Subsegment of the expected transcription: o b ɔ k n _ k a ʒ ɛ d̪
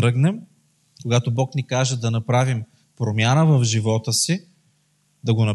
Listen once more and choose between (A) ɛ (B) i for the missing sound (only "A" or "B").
B